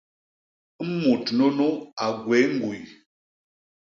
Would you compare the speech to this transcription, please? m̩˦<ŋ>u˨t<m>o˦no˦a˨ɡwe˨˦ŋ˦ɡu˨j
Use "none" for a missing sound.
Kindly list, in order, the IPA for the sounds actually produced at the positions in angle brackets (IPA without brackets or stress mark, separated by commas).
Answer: m, n